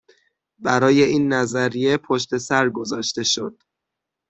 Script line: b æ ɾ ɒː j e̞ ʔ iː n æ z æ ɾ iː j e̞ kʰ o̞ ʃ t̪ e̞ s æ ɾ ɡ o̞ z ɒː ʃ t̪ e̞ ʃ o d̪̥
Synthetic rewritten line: b æ ɾ ɒː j e̞ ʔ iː nː æ z æ ɾ i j e̞ pʰ o̞ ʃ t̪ e̞ s æ ɾ ɡ o̞ z ɒː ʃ t̪ e̞ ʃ o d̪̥